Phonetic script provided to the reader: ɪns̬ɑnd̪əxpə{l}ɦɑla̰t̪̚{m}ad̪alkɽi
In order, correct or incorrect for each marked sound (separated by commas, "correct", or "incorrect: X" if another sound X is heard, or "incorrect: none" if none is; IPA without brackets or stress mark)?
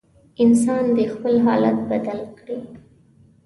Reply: correct, incorrect: b